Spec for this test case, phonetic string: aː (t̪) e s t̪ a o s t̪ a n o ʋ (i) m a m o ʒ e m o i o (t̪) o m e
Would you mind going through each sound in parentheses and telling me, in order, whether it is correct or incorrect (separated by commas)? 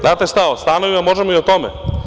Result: correct, correct, correct